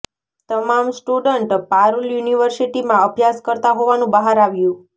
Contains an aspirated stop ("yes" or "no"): no